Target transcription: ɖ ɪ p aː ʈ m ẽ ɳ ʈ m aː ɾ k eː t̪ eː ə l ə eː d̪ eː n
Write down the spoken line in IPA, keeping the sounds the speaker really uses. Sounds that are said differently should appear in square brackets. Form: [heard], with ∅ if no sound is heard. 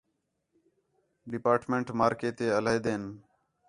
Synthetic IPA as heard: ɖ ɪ p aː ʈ m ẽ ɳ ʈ m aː ɾ k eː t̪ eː ə l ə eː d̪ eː n